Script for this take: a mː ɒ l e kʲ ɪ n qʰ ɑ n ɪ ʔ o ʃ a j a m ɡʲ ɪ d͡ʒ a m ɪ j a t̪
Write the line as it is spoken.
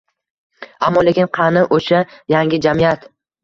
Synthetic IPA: a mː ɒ l e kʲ ɪ n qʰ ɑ n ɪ ʔ o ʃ a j a ŋ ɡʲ ɪ d͡ʒ a m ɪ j a t̪